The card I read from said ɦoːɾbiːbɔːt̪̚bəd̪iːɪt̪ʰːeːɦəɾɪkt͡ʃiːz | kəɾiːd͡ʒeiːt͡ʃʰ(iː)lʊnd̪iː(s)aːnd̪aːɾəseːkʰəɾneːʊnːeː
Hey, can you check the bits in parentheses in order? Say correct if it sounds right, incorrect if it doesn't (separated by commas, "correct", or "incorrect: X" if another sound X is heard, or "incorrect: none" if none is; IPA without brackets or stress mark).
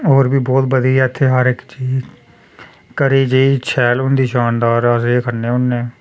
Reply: incorrect: ɛː, incorrect: ʃ